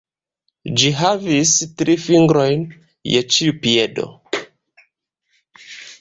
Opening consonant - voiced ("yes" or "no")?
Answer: yes